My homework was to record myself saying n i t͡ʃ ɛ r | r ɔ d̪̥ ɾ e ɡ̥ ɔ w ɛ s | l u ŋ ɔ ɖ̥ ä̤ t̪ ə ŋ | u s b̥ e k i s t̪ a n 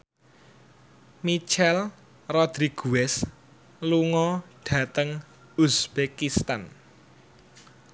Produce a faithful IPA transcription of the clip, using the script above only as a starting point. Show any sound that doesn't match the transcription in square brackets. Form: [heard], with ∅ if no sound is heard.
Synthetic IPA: [m] i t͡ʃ ɛ [l] | r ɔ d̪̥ ɾ [i] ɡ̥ [u] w ɛ s | l u ŋ ɔ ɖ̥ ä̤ t̪ ə ŋ | u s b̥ e k i s t̪ a n